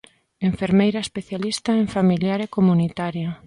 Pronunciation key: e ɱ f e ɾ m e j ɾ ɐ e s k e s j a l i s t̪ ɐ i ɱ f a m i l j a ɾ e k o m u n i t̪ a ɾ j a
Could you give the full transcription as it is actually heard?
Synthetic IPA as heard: e ɱ f e ɾ m e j ɾ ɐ e s p e θ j a l i s t̪ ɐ e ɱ f a m i l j a ɾ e k o m u n i t̪ a ɾ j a

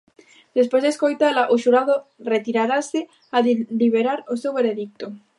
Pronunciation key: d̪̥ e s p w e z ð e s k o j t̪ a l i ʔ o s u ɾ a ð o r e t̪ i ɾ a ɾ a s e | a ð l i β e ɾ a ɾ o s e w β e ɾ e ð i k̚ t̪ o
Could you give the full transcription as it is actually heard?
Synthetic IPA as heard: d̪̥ e s p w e z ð e s k o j t̪ a l a ʔ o ʃ u ɾ a ð o r e t̪ i ɾ a ɾ a s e | a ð l i β e ɾ a ɾ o s e w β e ɾ e ð i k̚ t̪ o

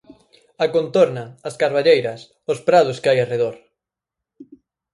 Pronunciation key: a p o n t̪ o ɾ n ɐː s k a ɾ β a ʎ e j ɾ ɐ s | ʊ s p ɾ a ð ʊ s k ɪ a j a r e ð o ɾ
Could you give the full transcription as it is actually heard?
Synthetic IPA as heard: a k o n t̪ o ɾ n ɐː s k a ɾ β a ʎ e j ɾ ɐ s | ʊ s p ɾ a ð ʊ s k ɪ a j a r e ð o ɾ

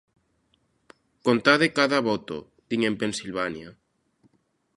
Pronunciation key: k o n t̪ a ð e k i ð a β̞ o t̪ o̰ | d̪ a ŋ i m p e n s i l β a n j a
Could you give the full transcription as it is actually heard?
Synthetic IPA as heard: k o n t̪ a ð e k a ð a β̞ o t̪ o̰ | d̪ i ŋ e m p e n s i l β a n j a

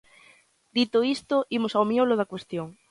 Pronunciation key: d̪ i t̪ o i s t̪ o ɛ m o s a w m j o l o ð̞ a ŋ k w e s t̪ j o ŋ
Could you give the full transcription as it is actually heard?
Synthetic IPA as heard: d̪ i t̪ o i s t̪ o i m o s a w m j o l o ð̞ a k w e s t̪ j o ŋ

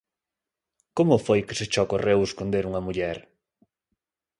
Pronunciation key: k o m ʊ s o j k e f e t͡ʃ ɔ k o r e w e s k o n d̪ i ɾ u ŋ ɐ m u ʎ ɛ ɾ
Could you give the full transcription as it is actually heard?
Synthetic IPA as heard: k o m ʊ f o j k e s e t͡ʃ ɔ k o r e w e s k o n d̪ e ɾ u ŋ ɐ m u ʎ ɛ ɾ

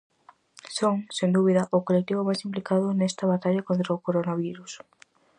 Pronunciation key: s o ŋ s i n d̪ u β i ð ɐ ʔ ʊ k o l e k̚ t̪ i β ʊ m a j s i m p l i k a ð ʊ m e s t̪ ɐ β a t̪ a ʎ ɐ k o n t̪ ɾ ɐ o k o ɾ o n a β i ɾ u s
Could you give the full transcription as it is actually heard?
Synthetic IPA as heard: s o ŋ s e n d̪ u β i ð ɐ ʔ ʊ k o l e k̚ t̪ i β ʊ m a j s i m p l i k a ð ʊ n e s t̪ ɐ β a t̪ a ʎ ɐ k o n t̪ ɾ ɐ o k o ɾ o n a β i ɾ u s

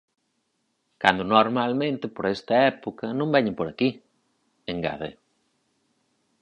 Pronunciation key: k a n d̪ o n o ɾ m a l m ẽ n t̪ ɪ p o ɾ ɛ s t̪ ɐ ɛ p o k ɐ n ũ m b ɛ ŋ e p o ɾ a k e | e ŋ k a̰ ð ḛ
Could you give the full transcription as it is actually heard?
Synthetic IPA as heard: k a n d̪ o n o ɾ m a l m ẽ n t̪ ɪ p o ɾ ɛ s t̪ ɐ ɛ p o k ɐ n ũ m b ɛ ɲ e p o ɾ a k i | e ŋ ɡ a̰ ð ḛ

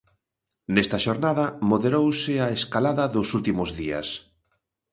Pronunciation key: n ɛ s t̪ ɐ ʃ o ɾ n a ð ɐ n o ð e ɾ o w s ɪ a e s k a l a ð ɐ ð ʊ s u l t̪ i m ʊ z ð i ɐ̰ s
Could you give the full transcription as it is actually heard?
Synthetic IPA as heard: n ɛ s t̪ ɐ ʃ o ɾ n a ð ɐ m o ð e ɾ o w s ɪ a e s k a l a ð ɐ ð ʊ s u l t̪ i m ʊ z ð i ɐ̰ s

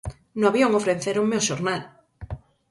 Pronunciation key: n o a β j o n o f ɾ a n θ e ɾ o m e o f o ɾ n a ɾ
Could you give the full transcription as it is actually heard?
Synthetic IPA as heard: n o a β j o ŋ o f ɾ e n θ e ɾ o m e o ʃ o ɾ n a l

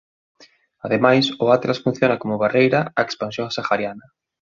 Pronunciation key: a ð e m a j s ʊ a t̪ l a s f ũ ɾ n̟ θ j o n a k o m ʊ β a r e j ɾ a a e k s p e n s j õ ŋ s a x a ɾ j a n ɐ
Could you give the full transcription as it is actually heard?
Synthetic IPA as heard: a ð e m a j s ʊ a t̪ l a s f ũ n̟ θ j o n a k o m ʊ β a r e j ɾ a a e k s p a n s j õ ŋ s a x a ɾ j a n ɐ

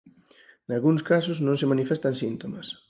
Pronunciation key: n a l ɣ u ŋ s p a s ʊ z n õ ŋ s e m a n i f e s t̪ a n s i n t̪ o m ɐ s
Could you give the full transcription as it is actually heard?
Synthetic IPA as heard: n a l ɣ u ŋ s k a s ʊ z n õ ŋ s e m a n i f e s t̪ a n s i n t̪ o m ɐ s

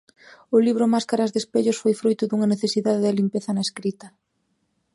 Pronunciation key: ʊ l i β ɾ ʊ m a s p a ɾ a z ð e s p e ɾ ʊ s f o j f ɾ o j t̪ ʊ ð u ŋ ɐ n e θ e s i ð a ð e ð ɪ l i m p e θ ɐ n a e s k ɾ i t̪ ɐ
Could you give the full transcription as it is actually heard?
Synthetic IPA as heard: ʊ l i β ɾ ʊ m a s k a ɾ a z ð e s p e ʎ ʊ s f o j f ɾ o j t̪ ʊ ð u ŋ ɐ n e θ e s i ð a ð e ð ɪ l i m p e θ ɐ n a e s k ɾ i t̪ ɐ

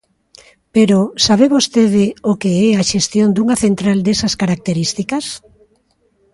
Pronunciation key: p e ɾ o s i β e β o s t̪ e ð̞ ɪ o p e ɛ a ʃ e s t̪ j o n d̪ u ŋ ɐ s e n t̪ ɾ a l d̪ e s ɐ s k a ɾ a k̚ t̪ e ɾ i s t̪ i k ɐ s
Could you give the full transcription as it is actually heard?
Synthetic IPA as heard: p e ɾ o s a β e β o s t̪ e ð̞ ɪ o k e ɛ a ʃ e s t̪ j o n d̪ u ŋ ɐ θ e n t̪ ɾ a l d̪ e s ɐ s k a ɾ a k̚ t̪ e ɾ i s t̪ i k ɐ s

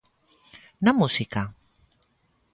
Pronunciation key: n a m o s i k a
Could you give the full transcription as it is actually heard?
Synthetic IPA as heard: n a m u s i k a

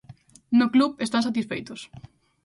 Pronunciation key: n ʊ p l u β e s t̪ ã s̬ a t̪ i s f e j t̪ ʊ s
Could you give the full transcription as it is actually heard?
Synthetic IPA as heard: n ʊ k l u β e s t̪ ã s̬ a t̪ i s f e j t̪ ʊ s

